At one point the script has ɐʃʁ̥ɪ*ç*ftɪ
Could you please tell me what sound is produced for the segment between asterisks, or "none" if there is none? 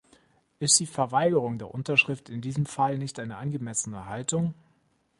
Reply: none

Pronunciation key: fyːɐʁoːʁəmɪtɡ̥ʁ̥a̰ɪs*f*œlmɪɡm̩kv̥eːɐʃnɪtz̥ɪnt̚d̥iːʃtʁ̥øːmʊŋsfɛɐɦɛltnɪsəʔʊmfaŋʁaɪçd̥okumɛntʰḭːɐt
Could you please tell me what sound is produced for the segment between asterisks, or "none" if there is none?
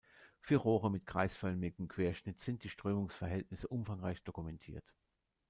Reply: f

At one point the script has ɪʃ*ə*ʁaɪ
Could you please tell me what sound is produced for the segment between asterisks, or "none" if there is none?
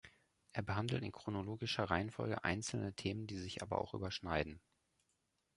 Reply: ɐ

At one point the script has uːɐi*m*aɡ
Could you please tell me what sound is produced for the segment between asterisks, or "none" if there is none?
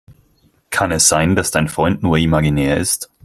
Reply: m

